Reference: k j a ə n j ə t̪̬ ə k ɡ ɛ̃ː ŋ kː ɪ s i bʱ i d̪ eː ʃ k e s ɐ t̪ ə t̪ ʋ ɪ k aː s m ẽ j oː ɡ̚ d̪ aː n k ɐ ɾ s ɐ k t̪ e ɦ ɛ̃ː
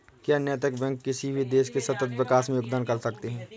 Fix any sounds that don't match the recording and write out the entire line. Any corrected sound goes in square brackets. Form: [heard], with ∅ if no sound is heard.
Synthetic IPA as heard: k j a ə n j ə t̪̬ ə k [b] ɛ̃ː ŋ kː ɪ s i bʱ i d̪ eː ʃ k e s ɐ t̪ ə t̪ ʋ ɪ k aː s m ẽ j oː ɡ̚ d̪ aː n k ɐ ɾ s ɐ k t̪ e ɦ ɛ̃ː